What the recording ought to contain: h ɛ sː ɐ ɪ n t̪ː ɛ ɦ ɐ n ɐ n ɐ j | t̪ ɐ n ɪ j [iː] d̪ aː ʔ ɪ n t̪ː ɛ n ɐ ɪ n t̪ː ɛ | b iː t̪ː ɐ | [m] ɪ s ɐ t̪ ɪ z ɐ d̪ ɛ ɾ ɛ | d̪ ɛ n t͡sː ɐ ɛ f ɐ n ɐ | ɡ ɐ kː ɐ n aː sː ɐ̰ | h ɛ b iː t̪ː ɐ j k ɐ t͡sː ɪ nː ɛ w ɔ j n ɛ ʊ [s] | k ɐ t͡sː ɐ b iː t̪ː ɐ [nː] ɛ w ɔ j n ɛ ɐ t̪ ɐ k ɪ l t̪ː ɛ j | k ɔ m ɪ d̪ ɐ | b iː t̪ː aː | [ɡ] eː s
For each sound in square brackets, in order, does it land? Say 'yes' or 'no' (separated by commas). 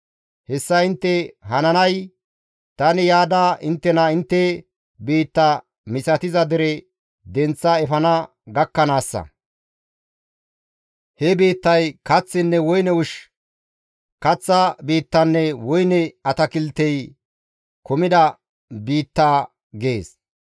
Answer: no, yes, no, yes, yes